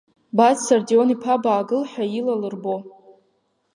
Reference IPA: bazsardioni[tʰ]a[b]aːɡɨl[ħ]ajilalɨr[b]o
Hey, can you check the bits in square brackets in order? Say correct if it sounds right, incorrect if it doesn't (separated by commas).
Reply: incorrect, correct, correct, correct